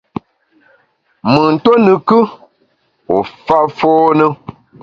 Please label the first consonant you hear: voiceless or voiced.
voiced